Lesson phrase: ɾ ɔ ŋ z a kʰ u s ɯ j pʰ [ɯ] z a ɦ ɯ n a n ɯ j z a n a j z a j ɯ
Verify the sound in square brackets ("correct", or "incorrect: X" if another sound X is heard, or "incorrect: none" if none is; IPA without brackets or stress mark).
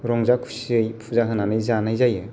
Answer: incorrect: u